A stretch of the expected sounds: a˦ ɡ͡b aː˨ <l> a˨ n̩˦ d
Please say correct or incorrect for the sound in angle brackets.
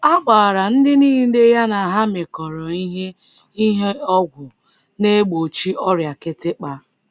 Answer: incorrect: ɾ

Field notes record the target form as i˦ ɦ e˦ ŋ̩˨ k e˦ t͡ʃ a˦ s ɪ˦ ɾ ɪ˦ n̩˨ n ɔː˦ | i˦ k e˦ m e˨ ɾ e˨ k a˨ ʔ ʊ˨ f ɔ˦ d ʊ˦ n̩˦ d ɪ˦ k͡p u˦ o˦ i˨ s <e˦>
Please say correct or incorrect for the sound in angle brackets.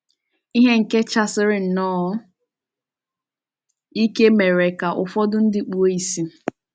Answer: incorrect: i˦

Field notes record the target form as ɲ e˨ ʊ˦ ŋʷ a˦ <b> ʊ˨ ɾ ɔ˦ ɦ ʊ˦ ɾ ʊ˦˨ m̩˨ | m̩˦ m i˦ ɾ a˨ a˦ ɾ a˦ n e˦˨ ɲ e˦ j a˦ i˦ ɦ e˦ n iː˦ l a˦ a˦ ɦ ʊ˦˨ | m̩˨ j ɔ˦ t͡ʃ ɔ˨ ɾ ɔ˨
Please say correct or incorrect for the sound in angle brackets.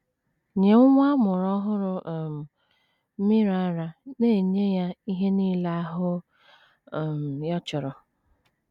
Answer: incorrect: m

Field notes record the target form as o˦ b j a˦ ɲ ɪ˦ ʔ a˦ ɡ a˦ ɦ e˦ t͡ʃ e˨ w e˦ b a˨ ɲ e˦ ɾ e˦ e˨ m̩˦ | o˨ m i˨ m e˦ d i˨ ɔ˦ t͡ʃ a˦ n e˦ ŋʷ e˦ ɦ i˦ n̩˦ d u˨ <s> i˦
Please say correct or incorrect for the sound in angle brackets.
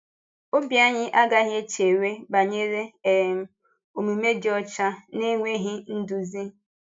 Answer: incorrect: z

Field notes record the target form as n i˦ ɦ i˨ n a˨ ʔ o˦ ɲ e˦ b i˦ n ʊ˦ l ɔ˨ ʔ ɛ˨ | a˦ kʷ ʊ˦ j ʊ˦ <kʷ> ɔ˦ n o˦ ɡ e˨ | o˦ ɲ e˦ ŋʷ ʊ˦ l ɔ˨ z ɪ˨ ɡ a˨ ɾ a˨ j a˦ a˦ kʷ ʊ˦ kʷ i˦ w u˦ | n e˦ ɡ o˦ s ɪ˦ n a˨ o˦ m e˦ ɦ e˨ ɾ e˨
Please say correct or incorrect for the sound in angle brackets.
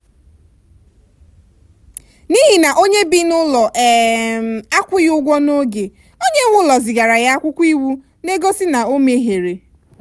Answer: incorrect: ɡʷ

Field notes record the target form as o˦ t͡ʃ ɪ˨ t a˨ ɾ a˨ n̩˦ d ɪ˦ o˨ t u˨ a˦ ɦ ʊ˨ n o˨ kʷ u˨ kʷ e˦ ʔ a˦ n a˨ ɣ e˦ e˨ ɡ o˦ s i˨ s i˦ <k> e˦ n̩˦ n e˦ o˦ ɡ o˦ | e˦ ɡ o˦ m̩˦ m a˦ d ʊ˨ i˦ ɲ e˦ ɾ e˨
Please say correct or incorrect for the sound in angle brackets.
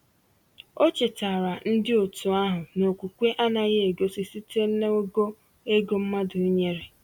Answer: incorrect: t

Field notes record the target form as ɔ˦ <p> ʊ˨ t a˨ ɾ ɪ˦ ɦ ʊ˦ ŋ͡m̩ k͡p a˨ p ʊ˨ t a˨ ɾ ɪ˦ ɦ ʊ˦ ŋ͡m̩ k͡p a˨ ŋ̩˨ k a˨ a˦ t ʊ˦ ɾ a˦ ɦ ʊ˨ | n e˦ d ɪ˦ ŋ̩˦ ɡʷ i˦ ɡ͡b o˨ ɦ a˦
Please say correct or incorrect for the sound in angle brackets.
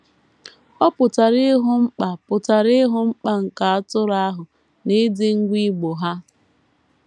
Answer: correct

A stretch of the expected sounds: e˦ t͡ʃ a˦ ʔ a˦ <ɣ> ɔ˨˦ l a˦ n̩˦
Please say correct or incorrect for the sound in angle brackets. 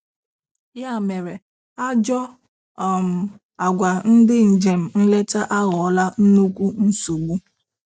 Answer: correct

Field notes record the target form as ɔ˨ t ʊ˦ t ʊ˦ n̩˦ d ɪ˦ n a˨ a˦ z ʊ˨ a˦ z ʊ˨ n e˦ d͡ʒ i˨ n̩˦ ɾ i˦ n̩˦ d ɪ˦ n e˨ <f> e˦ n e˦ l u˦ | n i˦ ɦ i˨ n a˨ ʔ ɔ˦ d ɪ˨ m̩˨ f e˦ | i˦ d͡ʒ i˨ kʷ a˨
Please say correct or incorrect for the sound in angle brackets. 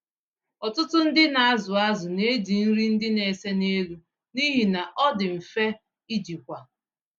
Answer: incorrect: s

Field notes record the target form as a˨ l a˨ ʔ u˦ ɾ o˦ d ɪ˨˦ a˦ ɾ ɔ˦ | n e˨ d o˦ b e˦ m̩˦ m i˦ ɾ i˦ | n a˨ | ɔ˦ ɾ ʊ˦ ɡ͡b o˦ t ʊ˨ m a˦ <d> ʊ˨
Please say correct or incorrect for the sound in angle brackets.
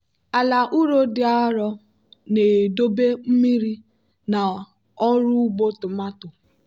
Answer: incorrect: t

